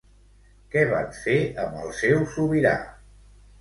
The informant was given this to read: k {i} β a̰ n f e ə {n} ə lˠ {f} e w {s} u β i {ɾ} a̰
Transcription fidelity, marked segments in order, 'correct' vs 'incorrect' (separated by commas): incorrect, incorrect, incorrect, correct, correct